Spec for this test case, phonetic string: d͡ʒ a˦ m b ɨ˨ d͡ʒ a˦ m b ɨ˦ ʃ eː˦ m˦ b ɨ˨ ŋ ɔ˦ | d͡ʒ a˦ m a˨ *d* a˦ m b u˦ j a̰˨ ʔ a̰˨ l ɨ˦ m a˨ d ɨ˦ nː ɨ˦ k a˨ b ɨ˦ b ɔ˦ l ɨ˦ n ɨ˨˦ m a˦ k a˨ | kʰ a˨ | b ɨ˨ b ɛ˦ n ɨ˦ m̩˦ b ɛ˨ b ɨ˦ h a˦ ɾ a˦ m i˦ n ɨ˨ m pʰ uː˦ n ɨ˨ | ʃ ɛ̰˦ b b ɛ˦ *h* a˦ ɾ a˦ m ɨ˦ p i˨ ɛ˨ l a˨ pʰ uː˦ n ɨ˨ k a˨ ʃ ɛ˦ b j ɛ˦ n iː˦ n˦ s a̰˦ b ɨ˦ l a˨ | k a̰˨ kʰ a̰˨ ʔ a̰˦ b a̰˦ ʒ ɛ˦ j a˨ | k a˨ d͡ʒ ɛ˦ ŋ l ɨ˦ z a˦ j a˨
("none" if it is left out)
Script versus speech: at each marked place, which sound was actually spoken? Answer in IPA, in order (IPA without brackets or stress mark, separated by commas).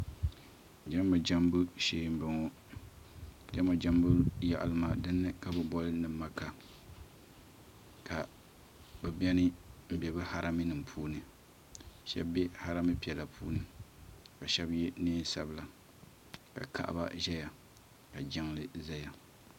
d͡ʒ, h